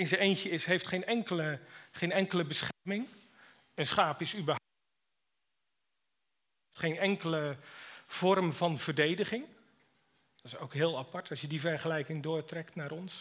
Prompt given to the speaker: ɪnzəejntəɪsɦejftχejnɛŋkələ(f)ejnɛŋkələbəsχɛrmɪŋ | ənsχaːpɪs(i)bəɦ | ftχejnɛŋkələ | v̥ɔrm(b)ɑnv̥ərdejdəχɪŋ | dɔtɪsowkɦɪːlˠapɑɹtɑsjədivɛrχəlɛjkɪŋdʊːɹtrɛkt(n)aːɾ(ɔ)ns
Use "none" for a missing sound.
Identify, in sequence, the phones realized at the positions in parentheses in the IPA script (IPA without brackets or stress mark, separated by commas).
χ, y, v, n, ɔ